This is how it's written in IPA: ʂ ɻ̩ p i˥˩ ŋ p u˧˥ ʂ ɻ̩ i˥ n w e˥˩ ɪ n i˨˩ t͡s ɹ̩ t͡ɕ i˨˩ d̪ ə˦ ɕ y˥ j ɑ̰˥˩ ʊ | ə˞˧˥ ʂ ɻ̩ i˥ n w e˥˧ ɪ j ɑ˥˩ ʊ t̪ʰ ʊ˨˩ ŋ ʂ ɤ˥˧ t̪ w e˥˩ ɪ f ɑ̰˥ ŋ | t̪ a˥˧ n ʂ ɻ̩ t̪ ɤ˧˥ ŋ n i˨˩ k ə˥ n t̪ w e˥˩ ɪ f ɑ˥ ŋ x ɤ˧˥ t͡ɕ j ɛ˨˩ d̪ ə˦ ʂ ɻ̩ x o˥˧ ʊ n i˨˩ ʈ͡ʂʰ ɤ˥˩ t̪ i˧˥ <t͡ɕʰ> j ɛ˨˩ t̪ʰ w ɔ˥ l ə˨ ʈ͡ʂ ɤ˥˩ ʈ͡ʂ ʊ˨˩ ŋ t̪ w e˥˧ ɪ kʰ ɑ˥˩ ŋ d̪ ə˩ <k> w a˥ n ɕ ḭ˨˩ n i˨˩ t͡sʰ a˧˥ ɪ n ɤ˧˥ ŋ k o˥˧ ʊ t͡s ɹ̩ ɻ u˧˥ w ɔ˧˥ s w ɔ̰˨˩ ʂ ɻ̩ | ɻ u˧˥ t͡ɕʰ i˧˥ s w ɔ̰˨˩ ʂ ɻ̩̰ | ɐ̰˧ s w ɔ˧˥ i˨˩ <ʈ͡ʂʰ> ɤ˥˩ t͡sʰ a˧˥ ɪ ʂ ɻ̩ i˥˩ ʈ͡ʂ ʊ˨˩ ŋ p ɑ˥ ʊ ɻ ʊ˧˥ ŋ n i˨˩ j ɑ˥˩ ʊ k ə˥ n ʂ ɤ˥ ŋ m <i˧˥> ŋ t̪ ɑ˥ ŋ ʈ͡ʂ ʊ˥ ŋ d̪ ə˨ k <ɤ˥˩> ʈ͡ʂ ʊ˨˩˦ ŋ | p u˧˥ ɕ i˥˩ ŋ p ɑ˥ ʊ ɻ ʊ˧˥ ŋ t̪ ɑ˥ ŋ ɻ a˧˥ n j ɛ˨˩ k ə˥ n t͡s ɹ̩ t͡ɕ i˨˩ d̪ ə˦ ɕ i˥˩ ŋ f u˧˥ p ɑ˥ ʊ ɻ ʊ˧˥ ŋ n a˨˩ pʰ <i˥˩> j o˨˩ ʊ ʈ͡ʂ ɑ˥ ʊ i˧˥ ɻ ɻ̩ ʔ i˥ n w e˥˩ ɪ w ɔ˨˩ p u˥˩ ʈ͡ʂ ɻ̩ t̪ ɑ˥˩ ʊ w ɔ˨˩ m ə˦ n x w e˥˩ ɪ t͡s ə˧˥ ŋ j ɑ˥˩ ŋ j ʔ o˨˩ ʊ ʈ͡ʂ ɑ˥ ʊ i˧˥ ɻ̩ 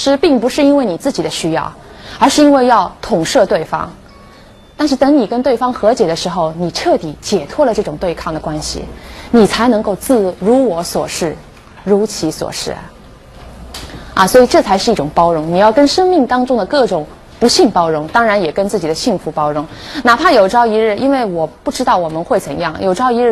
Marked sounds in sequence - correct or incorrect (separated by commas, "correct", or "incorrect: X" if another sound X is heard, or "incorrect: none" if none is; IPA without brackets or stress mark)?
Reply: incorrect: t͡ɕ, correct, incorrect: ʈ͡ʂ, incorrect: i˥˩, correct, incorrect: a˥˩